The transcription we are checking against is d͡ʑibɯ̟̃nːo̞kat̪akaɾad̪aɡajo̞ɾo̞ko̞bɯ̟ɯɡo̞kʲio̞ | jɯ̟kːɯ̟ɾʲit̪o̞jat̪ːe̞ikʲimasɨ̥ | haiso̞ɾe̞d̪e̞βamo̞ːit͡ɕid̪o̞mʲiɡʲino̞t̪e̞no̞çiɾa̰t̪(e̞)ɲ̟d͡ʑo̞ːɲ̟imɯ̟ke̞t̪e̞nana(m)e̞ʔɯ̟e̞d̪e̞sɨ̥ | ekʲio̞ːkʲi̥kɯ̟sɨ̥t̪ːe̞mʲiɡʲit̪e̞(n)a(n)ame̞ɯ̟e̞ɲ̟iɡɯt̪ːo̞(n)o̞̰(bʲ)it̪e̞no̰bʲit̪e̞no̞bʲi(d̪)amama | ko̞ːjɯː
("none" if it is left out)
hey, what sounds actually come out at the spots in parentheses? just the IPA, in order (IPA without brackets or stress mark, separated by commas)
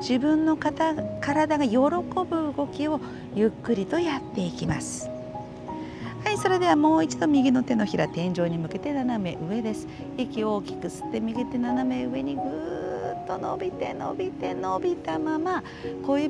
ẽ̞, m, n, n, n, bʲ, t̪